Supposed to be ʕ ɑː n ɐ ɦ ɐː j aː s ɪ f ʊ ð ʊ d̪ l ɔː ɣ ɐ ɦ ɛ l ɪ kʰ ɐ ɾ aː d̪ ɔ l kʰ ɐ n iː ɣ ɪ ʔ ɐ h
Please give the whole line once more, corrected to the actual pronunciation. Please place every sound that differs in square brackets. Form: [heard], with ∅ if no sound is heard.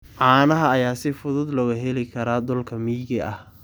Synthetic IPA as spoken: ʕ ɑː n ɐ ɦ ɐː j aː s ɪ f ʊ ð ʊ d̪ l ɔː ɣ ɐ ɦ ɛ l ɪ kʰ ɐ ɾ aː d̪ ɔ l kʰ ɐ [m] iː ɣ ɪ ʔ ɐ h

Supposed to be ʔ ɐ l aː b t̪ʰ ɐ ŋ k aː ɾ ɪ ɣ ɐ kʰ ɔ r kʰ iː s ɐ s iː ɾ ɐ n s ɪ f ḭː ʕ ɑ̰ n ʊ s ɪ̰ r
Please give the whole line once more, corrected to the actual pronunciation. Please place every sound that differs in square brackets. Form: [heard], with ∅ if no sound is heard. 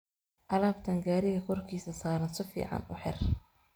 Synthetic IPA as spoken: ʔ ɐ l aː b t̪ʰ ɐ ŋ [ɡ] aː ɾ ɪ ɣ ɐ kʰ ɔ r kʰ iː s ɐ s [aː] ɾ ɐ n s ɪ f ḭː ʕ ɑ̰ n ʊ [ħ] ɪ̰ r

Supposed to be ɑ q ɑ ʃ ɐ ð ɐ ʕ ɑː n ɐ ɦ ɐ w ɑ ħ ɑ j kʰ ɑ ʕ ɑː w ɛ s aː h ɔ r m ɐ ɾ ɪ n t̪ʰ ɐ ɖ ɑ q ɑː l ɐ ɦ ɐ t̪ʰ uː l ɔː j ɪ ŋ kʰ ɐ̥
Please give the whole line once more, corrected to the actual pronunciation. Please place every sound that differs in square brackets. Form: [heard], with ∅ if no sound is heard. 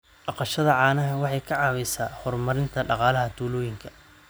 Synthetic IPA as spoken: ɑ q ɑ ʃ ɐ ð ɐ ʕ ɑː n ɐ ɦ ɐ w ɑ ħ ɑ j kʰ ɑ ʕ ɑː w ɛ s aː h ɔ r m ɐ ɾ ɪ n t̪ʰ ɐ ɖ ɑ q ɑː l ɐ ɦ ɐ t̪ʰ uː l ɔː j ɪ ŋ kʰ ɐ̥

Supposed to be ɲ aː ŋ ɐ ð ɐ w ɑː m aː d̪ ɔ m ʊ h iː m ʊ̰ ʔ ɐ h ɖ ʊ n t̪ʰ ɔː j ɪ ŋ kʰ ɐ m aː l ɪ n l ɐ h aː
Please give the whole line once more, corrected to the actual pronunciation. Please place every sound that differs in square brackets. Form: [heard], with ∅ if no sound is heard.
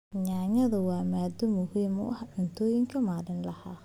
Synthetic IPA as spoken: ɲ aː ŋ ɐ ð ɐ w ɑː m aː d̪ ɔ m ʊ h iː m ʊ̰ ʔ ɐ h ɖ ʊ n t̪ʰ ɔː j ɪ ŋ kʰ ɐ m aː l ɪ n l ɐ h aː

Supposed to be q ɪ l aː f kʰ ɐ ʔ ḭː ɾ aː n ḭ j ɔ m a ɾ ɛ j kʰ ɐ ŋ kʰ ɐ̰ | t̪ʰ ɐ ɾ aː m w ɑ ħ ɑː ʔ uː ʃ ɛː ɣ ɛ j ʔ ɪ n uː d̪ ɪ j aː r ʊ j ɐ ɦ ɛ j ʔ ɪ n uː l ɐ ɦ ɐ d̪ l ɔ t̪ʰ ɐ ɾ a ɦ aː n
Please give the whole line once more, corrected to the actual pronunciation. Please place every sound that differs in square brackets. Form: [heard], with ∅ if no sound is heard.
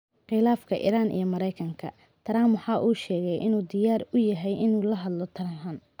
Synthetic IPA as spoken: q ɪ l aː f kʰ ɐ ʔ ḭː ɾ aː n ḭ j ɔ m [ɐ] ɾ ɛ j kʰ ɐ ŋ kʰ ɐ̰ | t̪ʰ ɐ ɾ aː m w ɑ ħ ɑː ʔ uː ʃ ɛː ɣ ɛ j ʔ ɪ n uː d̪ ɪ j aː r ʊ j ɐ ɦ ɛ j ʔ ɪ n uː l ɐ ɦ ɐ d̪ l ɔ t̪ʰ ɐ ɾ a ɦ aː n

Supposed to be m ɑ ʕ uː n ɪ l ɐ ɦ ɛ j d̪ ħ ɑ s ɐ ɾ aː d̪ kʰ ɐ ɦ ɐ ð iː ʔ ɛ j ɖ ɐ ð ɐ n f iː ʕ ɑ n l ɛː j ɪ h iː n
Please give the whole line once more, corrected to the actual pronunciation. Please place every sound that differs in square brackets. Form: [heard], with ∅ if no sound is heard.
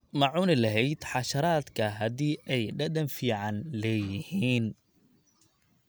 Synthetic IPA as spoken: m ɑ ʕ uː n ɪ l ɐ ɦ ɛ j d̪ ħ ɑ [ʃ] ɐ ɾ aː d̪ kʰ ɐ ɦ ɐ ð iː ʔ ɛ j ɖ ɐ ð ɐ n f iː ʕ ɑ n l ɛː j ɪ h iː n

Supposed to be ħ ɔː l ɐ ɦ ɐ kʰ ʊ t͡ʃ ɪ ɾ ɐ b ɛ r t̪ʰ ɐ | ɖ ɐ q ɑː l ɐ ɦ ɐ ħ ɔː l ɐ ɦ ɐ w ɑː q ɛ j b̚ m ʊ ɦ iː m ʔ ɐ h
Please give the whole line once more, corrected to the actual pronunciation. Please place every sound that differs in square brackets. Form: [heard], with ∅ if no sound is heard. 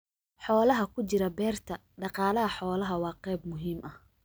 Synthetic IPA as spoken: ħ ɔː l ɐ ɦ ɐ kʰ ʊ t͡ʃ ɪ ɾ ɐ b [ɛː] r t̪ʰ ɐ | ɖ [ɑ] q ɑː l ɐ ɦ ɐ ħ ɔː l ɐ ɦ ɐ w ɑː q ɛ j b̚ m ʊ ɦ iː m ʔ ɐ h

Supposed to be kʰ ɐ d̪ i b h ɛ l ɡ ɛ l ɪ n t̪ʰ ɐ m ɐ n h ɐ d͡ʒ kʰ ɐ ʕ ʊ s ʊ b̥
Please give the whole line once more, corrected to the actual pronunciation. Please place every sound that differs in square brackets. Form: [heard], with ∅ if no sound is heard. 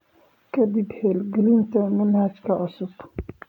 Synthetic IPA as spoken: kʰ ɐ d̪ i b h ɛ l ɡ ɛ l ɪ n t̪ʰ ɐ m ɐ n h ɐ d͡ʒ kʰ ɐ ʕ ʊ s ʊ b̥

